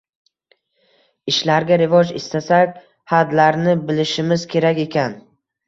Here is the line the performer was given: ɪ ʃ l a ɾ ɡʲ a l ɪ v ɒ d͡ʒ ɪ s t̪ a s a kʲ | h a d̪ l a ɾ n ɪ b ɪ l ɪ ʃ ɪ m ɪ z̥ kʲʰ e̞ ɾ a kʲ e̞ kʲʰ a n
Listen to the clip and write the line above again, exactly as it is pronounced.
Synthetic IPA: ɪ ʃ l a ɾ ɡʲ a ɾ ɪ v ɒ d͡ʒ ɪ s t̪ a s a kʲ | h a d̪ l a ɾ n ɪ b ɪ l ɪ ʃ ɪ m ɪ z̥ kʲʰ e̞ ɾ a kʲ e̞ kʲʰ a n